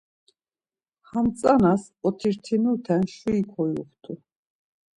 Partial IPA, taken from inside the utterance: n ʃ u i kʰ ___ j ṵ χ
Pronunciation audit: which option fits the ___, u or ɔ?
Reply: ɔ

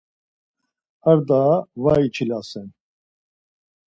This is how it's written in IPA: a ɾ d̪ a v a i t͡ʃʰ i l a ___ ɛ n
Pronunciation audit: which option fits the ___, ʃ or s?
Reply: s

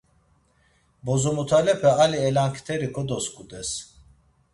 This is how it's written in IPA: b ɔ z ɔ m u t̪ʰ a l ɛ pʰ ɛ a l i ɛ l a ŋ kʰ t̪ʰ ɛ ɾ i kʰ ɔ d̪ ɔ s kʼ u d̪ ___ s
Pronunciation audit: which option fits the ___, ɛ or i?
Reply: ɛ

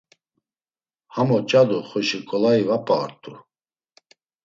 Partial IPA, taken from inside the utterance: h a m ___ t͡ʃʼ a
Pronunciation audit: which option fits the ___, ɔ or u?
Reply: ɔ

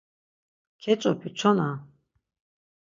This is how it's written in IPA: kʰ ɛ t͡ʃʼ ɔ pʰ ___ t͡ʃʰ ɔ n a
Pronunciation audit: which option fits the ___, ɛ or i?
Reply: i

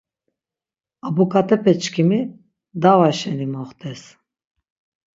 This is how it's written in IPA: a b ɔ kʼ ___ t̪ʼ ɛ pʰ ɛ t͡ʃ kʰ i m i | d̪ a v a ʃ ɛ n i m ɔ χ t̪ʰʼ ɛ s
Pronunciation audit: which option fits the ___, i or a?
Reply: a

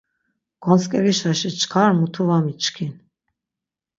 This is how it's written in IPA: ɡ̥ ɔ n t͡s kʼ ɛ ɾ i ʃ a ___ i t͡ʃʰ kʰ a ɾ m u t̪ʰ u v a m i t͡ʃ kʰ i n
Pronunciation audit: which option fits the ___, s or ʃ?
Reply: ʃ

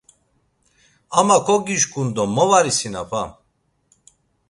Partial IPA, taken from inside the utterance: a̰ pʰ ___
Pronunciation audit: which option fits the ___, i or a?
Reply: a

